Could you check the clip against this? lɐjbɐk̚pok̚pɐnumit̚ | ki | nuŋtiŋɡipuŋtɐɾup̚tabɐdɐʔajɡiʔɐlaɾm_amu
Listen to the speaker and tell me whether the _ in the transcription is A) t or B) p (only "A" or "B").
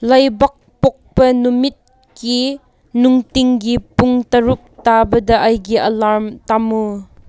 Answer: A